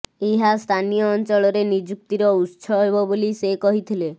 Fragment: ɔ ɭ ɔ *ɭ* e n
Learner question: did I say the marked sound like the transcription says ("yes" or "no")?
no